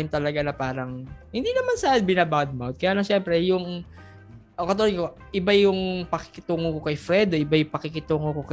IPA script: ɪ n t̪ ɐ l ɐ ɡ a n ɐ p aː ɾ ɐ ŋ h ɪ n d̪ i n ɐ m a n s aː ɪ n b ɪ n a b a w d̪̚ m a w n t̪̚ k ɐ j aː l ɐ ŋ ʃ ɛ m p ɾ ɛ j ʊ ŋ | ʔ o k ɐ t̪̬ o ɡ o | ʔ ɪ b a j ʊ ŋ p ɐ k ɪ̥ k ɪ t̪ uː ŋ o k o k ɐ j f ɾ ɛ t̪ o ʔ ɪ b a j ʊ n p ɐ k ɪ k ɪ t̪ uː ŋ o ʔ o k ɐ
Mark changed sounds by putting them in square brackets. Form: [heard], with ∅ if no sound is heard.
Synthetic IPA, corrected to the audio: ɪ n t̪ ɐ l ɐ ɡ a n ɐ p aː ɾ ɐ ŋ h ɪ n d̪ i n ɐ m a n s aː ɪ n b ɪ n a b a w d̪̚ m a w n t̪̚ k ɐ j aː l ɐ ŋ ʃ ɛ m p ɾ ɛ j ʊ ŋ | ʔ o k ɐ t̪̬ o [k] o | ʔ ɪ b a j ʊ ŋ p ɐ k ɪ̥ k ɪ t̪ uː ŋ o k o k ɐ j f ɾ ɛ [d̪] o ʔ ɪ b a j ʊ [ŋ] p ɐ k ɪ k ɪ t̪ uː ŋ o [k] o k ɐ